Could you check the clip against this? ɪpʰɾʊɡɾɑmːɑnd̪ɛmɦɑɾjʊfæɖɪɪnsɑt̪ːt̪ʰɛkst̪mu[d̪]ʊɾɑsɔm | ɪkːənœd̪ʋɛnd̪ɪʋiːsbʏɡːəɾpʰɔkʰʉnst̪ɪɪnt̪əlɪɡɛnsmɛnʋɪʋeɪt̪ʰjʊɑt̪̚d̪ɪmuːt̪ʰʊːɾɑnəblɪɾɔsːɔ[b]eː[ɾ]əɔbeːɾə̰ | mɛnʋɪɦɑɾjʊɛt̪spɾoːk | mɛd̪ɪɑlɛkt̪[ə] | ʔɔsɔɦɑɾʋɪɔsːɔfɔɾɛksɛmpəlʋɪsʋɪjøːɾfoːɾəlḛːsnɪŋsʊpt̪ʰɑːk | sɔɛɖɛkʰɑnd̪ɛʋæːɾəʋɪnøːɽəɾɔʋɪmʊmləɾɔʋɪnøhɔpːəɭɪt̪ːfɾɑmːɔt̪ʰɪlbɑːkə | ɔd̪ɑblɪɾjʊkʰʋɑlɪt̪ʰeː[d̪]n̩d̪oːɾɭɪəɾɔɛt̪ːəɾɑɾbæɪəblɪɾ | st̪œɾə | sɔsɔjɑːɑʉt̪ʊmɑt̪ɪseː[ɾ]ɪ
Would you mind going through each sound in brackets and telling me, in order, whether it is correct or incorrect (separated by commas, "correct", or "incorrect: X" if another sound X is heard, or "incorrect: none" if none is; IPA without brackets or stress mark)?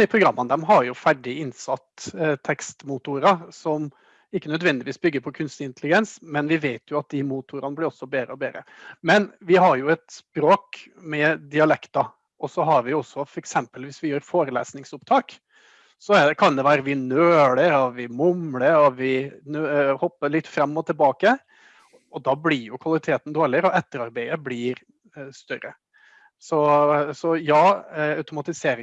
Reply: incorrect: t̪, correct, correct, incorrect: ɑ, incorrect: t̪, correct